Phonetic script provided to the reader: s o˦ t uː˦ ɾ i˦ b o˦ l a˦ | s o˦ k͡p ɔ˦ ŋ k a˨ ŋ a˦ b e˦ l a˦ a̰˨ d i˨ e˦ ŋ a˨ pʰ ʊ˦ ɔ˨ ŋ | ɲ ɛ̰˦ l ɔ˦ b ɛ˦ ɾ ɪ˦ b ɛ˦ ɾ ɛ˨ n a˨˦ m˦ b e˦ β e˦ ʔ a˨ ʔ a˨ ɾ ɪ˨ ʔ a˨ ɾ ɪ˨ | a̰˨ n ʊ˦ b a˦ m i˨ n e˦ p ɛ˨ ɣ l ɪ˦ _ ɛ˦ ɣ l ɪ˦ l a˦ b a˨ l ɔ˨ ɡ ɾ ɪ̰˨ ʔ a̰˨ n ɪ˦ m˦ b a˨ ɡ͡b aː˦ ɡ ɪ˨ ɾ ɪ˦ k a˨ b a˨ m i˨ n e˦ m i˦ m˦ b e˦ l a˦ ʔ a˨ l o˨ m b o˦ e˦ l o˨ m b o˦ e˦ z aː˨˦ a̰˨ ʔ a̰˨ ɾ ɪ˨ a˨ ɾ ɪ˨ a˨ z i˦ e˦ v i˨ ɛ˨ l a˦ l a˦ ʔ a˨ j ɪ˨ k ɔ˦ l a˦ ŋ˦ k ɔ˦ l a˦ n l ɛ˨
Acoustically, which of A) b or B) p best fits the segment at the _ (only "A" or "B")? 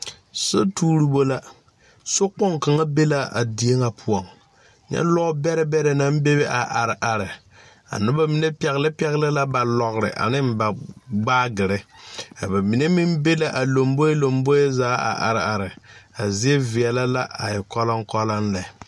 B